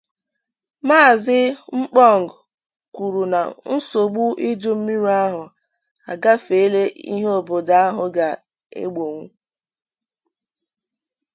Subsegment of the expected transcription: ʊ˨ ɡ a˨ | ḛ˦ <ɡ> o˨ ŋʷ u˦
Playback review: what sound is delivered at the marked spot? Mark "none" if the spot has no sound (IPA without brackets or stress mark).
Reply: ɡ͡b